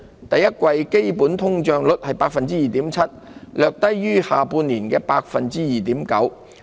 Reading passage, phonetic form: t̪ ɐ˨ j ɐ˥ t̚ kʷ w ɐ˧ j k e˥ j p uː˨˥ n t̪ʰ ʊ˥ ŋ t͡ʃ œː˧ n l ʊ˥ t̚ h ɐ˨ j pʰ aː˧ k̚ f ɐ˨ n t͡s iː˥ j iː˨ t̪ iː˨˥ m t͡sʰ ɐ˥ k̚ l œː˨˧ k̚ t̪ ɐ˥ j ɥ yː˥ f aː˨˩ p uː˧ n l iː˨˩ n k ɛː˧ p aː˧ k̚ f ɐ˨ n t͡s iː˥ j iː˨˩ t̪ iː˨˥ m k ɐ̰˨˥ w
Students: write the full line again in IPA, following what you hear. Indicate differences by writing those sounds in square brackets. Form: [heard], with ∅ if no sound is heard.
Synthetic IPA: t̪ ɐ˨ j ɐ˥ t̚ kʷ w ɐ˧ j k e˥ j p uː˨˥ n t̪ʰ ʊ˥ ŋ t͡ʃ œː˧ [ŋ] l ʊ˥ t̚ h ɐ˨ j [p] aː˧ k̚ f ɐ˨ n t͡s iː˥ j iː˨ t̪ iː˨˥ m t͡sʰ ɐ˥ [t̚] l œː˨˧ k̚ t̪ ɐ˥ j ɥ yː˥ [h] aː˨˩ p uː˧ n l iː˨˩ n k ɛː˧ p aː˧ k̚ f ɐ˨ n t͡s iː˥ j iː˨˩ t̪ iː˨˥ m k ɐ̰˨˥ w

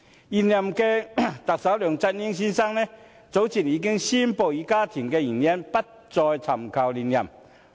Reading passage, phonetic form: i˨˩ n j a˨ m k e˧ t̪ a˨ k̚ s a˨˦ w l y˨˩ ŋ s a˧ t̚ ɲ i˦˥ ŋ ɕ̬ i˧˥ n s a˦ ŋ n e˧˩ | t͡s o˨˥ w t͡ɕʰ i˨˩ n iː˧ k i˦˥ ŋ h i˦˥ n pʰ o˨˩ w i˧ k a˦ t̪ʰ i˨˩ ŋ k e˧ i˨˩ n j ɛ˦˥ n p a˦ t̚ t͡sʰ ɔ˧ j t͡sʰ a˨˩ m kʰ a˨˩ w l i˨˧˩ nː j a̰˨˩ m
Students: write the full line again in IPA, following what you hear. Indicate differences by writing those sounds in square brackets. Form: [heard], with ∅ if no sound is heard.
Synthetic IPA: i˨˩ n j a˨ m k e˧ t̪ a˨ k̚ s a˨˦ w l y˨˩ ŋ [t͡s] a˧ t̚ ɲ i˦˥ ŋ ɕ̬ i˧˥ n s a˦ ŋ n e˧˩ | t͡s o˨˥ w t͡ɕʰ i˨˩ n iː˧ k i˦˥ ŋ [ɕ] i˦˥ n [p] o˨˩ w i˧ k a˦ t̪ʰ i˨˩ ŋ k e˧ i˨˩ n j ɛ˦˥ n p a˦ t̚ [t͡s] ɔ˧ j t͡sʰ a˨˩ m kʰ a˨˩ w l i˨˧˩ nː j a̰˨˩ m

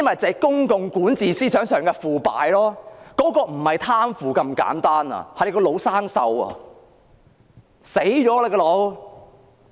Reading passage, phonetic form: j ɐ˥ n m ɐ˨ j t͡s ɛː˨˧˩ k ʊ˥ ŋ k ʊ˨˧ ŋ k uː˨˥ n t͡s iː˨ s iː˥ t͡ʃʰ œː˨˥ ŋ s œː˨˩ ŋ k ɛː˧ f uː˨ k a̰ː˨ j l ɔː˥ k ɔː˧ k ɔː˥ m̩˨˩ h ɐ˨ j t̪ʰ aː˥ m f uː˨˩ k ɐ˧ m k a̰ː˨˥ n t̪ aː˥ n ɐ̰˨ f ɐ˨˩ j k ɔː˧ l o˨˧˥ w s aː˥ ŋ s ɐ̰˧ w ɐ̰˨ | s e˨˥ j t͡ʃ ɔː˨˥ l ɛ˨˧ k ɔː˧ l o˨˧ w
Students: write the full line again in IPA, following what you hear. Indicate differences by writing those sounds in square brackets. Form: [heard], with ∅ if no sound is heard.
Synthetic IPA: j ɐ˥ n m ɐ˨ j t͡s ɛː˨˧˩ k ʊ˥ ŋ k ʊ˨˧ ŋ k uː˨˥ n t͡s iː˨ s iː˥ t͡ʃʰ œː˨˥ ŋ s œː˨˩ ŋ k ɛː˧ f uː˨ [p] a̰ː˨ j l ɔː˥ k [ɔː˨˥] k [ɔː˧] m̩˨˩ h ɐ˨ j t̪ʰ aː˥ m f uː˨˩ k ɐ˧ m k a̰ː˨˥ n t̪ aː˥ n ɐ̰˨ [h] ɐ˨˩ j k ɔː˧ l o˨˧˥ w s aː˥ ŋ s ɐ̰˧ w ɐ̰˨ | s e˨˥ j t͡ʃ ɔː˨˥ l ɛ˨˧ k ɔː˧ l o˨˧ w

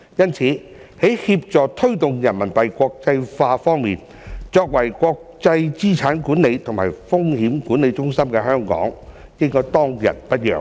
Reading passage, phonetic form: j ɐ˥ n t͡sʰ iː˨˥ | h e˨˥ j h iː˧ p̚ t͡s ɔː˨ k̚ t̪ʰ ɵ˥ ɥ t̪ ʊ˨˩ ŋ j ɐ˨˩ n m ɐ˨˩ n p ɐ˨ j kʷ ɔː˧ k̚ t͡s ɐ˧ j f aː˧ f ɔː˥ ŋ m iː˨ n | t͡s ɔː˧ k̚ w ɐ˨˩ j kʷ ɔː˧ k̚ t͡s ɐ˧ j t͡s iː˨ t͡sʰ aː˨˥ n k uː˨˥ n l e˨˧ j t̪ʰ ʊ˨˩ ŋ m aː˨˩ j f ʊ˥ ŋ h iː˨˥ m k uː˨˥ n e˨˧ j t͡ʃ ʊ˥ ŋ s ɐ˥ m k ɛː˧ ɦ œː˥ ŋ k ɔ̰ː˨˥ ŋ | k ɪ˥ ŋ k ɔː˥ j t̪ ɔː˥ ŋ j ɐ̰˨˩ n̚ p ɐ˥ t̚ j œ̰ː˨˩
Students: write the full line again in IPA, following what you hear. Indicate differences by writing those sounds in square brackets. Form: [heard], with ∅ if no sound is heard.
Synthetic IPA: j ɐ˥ n t͡sʰ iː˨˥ | h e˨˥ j h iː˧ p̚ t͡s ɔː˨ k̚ t̪ʰ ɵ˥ ɥ t̪ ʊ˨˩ ŋ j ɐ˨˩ n m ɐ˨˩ n p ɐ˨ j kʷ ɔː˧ k̚ t͡s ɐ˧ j f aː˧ f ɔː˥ ŋ m iː˨ n | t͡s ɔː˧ k̚ w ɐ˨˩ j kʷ ɔː˧ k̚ t͡s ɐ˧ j t͡s [iː˥] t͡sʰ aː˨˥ n k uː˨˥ n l e˨˧ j t̪ʰ ʊ˨˩ ŋ m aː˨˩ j f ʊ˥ ŋ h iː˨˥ m k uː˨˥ n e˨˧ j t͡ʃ ʊ˥ ŋ s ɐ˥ m k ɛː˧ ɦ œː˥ ŋ k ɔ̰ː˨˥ ŋ | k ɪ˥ ŋ k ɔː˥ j t̪ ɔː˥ ŋ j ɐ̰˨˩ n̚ p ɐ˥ t̚ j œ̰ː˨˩

